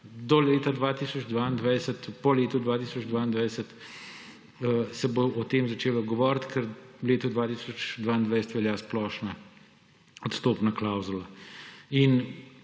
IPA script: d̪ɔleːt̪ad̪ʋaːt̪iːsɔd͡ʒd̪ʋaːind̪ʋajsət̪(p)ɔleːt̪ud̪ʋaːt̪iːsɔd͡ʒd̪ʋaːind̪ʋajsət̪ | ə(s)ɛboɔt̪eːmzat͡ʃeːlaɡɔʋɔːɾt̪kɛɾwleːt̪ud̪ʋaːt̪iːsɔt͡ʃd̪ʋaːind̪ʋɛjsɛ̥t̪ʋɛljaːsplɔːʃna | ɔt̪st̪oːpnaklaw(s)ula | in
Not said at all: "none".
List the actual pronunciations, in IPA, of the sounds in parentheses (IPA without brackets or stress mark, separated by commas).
p, s, z